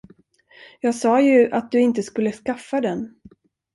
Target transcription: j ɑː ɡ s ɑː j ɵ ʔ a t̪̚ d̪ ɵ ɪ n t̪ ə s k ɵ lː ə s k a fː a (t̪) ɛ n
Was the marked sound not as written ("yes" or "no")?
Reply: yes